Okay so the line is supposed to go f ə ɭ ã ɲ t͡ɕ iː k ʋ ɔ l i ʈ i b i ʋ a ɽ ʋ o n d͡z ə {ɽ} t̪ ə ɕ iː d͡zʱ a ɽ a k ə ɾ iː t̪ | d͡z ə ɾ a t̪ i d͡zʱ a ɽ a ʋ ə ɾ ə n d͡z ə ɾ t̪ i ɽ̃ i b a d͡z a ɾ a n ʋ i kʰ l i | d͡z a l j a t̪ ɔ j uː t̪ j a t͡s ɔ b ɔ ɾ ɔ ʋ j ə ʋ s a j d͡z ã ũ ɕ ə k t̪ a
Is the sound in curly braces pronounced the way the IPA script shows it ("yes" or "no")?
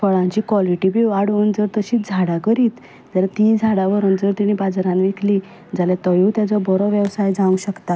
no